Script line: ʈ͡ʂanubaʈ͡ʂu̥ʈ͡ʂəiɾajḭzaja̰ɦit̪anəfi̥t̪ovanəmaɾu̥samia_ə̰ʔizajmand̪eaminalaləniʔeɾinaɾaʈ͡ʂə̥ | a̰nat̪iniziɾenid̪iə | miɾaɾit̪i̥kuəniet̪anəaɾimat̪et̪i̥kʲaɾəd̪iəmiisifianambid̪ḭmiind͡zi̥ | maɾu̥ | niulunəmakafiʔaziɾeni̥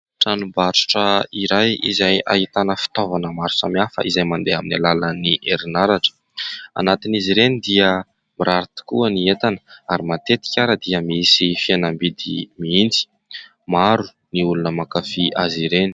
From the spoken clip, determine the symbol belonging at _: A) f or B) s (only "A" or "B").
A